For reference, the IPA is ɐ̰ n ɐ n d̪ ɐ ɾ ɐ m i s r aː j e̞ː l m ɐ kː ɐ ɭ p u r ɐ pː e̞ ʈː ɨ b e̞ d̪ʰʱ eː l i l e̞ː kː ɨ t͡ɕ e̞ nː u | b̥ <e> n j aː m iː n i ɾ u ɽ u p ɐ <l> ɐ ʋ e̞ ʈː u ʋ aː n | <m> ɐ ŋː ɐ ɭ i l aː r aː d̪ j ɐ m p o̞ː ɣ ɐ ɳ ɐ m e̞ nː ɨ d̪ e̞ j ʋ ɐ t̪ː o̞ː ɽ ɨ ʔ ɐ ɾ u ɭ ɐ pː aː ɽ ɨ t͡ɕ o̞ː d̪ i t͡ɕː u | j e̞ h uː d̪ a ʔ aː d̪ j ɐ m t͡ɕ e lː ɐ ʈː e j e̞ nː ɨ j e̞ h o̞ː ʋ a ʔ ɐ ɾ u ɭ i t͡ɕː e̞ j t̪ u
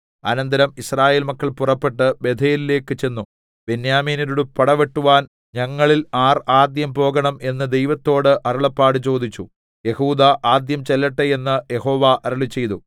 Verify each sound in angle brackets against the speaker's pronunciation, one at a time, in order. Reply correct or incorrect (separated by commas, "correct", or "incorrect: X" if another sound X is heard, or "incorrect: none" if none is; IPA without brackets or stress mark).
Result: correct, incorrect: ɽ, incorrect: ɲ